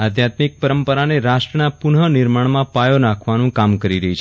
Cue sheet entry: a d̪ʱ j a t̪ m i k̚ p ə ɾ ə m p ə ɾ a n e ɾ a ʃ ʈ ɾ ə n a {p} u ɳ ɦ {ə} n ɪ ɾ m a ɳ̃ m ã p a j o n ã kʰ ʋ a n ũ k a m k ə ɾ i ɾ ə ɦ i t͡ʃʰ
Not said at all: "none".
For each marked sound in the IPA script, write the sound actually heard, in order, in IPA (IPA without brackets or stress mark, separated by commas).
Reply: p, ə